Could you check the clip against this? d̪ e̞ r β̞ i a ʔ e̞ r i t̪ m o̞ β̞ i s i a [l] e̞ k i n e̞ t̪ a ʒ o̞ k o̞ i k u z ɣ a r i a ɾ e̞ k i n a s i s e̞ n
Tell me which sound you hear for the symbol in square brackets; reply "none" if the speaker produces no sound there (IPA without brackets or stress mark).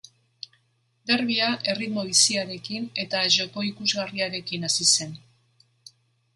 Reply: ɾ